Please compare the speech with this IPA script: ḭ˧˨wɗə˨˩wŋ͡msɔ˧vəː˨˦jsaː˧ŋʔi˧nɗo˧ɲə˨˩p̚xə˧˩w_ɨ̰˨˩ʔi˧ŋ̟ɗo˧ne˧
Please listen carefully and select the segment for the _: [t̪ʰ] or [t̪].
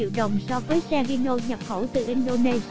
t̪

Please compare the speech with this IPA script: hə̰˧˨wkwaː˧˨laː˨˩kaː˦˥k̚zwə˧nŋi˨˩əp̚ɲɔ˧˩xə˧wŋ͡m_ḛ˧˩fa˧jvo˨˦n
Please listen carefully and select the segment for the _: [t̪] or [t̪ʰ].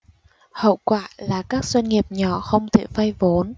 t̪ʰ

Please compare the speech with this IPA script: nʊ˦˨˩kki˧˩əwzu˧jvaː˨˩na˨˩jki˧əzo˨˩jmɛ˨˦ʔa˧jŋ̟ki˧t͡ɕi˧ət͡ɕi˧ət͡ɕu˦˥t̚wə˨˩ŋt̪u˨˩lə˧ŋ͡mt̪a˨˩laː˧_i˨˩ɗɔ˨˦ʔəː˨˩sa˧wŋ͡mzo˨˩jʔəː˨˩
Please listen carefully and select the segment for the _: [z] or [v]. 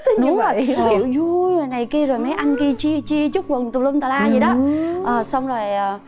z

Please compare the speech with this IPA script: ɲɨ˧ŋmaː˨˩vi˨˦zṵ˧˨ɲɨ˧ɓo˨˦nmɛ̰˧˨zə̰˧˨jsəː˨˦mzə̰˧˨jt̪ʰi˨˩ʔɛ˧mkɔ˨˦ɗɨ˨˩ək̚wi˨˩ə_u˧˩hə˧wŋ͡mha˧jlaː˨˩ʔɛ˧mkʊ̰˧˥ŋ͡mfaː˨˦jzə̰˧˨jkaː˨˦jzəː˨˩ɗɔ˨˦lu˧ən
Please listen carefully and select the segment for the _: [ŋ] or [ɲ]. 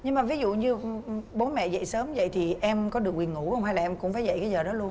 ŋ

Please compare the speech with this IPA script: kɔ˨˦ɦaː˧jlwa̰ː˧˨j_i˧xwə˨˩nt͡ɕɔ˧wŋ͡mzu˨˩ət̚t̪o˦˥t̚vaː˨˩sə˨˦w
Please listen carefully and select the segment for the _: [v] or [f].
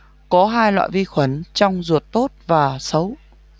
v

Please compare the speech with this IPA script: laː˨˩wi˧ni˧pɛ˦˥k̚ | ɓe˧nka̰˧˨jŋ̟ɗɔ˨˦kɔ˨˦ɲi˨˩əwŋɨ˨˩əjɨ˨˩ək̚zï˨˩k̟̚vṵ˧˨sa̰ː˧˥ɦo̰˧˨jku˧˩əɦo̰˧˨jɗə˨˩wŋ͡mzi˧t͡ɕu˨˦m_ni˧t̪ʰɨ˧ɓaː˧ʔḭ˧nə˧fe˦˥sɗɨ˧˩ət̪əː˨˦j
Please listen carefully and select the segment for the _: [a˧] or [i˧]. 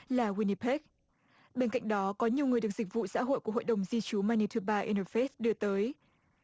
a˧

